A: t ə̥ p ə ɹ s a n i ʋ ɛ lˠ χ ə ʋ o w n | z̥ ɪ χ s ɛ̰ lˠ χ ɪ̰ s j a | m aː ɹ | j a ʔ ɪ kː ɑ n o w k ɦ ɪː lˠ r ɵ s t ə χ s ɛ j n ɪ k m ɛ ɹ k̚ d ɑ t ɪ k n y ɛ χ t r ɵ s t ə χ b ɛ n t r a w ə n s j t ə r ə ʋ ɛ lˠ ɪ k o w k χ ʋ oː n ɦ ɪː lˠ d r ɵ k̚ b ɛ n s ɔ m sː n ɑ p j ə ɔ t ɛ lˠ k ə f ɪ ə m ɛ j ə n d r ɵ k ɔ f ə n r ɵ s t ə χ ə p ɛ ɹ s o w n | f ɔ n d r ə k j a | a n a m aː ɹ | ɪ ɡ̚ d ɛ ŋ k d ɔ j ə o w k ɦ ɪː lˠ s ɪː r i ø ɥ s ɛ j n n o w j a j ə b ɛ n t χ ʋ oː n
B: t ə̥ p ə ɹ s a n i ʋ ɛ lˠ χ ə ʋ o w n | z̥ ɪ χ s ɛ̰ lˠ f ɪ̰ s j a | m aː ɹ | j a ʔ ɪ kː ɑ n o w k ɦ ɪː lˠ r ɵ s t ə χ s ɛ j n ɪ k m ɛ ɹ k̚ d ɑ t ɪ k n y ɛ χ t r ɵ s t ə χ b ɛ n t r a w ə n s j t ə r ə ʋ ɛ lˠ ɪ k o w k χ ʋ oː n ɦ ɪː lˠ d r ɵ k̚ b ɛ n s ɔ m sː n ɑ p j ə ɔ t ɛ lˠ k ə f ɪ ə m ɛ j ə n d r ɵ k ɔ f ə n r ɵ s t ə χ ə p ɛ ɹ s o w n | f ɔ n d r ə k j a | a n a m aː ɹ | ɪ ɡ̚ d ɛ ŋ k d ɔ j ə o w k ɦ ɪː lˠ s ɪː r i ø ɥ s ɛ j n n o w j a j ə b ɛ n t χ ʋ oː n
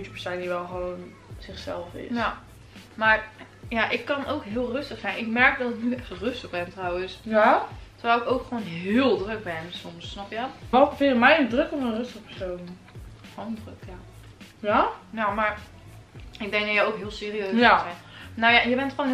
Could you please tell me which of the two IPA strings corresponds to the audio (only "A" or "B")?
B